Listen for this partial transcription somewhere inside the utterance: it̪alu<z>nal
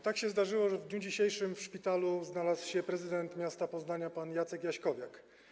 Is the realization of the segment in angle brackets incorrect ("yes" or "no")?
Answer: no